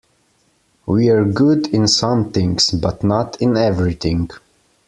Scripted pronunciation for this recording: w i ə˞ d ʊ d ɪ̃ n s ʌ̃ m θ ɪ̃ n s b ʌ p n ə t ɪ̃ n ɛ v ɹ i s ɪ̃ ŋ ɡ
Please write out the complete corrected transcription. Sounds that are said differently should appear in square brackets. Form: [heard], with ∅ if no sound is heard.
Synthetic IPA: w i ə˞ [ɡ] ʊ d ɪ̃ n s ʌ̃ m θ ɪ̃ [ŋ] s b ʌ [t] n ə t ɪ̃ n ɛ v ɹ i [θ] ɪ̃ ŋ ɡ